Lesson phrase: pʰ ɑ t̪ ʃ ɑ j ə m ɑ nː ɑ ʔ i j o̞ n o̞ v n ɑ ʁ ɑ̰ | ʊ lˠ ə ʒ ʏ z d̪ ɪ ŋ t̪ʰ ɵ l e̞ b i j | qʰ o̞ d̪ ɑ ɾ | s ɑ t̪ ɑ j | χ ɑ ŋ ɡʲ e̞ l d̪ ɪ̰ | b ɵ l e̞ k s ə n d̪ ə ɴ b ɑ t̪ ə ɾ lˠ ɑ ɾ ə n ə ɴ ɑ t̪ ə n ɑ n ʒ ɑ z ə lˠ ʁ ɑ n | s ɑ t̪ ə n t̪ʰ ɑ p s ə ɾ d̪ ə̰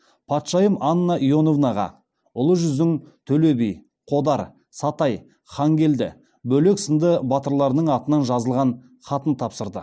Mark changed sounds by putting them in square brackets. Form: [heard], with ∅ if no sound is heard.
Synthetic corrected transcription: pʰ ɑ t̪ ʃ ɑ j ə m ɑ nː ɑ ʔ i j o̞ n o̞ v n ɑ ʁ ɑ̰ | ʊ lˠ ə ʒ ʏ z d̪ ɪ ŋ t̪ʰ ɵ l e̞ b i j | qʰ o̞ d̪ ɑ ɾ | s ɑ t̪ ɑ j | χ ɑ ŋ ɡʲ e̞ l d̪ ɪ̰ | b ɵ l e̞ k s ə n d̪ ə [∅] b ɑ t̪ ə ɾ lˠ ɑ ɾ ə n ə ɴ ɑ t̪ ə n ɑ n ʒ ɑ z ə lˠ ʁ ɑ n | [χ] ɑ t̪ ə n t̪ʰ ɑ p s ə ɾ d̪ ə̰